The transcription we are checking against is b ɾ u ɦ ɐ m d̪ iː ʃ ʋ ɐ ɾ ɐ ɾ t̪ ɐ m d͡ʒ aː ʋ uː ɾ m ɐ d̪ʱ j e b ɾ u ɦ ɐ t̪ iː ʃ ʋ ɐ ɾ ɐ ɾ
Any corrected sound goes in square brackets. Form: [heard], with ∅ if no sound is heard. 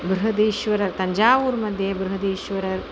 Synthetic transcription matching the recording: b ɾ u ɦ ɐ [∅] d̪ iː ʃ ʋ ɐ ɾ ɐ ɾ t̪ ɐ [ɲ] d͡ʒ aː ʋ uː ɾ m ɐ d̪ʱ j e b ɾ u ɦ ɐ [d̪] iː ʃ ʋ ɐ ɾ ɐ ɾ